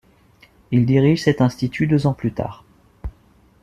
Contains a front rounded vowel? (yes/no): yes